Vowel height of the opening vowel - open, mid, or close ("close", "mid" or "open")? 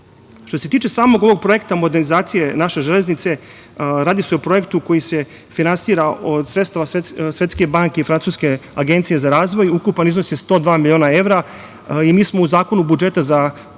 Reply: mid